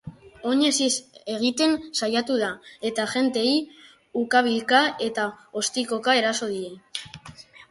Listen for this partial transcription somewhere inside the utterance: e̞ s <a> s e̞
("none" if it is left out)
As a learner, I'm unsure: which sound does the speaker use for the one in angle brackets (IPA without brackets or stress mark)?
i